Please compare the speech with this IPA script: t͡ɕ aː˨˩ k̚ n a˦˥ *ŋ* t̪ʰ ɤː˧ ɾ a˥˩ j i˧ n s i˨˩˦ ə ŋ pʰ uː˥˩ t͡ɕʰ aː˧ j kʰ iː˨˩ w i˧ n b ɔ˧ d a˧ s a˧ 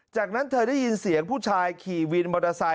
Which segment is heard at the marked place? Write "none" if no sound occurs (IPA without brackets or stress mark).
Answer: n